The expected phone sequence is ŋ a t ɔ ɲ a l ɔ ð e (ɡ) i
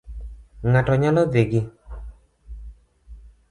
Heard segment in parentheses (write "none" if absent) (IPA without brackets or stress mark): ɡ